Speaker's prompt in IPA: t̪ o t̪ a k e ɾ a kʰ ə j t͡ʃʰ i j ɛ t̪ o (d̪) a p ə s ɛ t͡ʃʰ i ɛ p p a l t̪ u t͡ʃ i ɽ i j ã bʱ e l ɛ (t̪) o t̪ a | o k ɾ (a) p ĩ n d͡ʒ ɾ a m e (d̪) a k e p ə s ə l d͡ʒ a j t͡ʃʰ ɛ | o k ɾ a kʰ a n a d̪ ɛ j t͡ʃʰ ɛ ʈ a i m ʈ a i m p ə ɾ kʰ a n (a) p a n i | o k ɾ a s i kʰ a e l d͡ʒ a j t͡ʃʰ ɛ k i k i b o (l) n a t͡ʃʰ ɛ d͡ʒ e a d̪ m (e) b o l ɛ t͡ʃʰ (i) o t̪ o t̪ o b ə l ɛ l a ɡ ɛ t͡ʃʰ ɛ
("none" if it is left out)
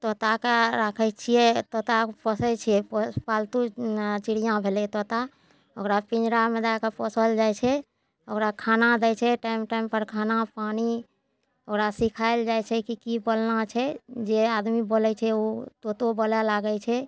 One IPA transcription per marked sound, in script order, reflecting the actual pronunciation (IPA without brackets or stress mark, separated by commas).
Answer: t̪, t̪, a, d̪, a, l, i, ɛ